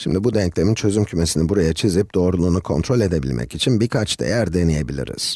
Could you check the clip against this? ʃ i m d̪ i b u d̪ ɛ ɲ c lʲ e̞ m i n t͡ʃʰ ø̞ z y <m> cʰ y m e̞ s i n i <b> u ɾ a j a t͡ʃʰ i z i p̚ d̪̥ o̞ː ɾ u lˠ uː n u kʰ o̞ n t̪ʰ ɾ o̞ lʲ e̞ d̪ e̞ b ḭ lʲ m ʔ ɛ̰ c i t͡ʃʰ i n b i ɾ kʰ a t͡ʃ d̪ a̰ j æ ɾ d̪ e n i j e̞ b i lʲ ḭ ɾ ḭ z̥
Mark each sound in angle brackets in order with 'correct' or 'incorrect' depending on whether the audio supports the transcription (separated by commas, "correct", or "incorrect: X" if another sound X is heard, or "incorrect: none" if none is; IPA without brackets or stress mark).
correct, correct